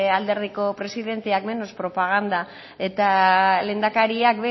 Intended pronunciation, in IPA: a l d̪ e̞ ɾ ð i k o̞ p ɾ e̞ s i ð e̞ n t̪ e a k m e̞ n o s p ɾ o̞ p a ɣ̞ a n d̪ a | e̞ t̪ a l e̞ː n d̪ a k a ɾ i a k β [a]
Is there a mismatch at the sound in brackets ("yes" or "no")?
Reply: yes